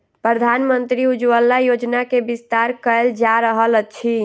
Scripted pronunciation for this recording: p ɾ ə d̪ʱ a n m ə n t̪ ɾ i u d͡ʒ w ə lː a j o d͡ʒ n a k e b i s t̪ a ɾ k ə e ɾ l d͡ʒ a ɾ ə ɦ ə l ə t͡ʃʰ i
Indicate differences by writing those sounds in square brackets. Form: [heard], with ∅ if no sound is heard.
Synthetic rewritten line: p ɾ ə d̪ʱ a n m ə n t̪ ɾ i u d͡ʒ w ə lː a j o d͡ʒ n a k e b i s t̪ a ɾ k ə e [∅] l d͡ʒ a ɾ ə ɦ ə l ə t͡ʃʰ i